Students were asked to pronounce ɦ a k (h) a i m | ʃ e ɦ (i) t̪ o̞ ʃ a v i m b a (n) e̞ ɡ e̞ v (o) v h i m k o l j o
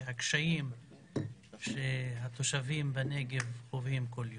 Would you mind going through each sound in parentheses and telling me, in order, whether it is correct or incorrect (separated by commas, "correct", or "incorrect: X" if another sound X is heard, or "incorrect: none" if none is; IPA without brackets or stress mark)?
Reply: incorrect: ʃ, incorrect: a, correct, correct